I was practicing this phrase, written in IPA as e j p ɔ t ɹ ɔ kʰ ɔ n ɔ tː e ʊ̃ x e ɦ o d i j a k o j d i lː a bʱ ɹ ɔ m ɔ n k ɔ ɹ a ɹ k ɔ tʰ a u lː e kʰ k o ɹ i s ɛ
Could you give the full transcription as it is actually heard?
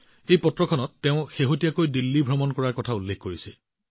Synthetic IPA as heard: e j p ɔ t ɹ ɔ kʰ ɔ n ɔ tː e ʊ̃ x e ɦ o t i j a k o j d i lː i bʱ ɹ ɔ m ɔ n k ɔ ɹ a ɹ k ɔ tʰ a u lː e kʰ k o ɹ i s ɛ